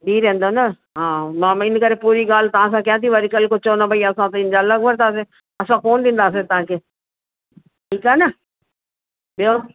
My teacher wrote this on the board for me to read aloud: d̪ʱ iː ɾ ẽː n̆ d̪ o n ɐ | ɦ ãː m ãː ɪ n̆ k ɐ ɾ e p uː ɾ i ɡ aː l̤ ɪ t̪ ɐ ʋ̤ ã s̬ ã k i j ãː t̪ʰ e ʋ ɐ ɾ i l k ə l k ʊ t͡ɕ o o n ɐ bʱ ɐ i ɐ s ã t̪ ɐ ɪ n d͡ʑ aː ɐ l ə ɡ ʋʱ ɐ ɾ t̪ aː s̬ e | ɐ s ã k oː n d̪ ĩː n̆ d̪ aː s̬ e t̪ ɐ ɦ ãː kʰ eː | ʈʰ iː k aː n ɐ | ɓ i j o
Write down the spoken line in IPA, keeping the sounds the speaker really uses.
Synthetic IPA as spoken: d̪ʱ iː ɾ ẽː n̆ d̪ o n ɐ | ɦ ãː m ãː ɪ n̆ k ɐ ɾ e p uː ɾ i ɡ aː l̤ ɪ t̪ ɐ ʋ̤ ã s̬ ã k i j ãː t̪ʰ i ʋ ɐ ɾ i k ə l k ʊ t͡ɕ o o n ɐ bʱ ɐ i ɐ s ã t̪ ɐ ɪ n d͡ʑ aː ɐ l ə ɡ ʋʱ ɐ ɾ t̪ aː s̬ e | ɐ s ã k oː n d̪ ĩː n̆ d̪ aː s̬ e t̪ ɐ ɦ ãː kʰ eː | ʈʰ iː k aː n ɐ | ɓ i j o